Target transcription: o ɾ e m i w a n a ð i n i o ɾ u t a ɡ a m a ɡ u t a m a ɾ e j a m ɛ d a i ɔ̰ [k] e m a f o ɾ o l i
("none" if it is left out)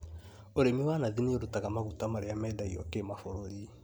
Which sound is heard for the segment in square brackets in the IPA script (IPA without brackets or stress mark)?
k